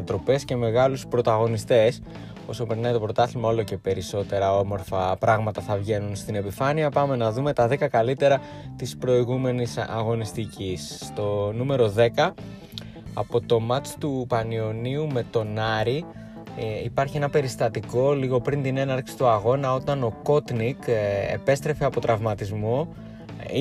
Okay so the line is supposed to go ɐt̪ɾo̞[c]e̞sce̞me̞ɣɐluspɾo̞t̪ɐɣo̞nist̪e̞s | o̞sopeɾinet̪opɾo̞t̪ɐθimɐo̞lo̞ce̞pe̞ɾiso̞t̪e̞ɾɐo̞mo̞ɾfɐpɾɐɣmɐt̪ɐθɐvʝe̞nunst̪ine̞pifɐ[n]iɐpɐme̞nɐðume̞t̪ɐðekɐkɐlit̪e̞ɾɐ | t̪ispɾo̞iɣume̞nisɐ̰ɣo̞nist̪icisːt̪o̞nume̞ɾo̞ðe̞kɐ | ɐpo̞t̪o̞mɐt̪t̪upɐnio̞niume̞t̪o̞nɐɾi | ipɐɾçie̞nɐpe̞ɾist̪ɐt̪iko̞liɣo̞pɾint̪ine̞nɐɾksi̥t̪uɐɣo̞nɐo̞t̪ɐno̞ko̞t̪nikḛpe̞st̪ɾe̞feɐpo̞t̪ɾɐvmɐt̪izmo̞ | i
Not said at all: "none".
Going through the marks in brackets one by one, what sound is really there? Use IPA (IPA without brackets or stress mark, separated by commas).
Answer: p, n